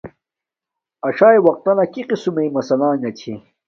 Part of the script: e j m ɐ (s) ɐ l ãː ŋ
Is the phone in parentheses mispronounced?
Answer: no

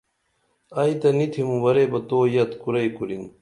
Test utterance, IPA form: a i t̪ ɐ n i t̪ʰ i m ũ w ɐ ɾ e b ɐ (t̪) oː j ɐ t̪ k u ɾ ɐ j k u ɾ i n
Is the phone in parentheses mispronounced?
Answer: no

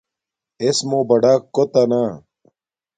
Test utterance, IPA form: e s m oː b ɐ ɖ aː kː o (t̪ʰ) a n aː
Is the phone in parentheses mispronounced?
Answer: yes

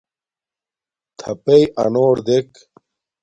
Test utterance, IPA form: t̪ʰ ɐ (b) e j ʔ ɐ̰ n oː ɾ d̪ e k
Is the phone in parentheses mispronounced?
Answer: yes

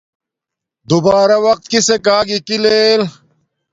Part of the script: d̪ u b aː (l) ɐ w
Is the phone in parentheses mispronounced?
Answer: yes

